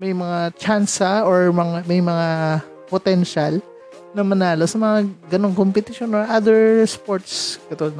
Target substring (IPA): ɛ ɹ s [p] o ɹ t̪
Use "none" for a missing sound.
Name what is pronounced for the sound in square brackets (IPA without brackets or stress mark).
p